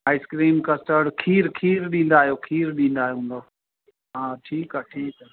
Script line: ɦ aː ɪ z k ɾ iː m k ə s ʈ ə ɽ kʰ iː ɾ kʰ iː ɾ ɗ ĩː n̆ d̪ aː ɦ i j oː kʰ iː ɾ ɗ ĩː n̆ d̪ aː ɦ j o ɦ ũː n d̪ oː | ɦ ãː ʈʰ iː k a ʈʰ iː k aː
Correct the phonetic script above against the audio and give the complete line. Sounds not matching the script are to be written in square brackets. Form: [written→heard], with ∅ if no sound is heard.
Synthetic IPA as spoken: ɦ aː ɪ [z→s] k ɾ iː m k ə s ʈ ə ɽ kʰ iː ɾ kʰ iː ɾ ɗ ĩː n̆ d̪ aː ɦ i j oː kʰ iː ɾ ɗ ĩː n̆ d̪ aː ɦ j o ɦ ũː n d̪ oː | ɦ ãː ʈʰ iː k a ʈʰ iː k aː